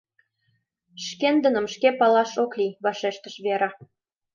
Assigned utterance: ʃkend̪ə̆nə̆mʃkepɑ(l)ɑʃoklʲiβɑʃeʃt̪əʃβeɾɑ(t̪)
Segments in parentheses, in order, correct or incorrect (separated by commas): correct, incorrect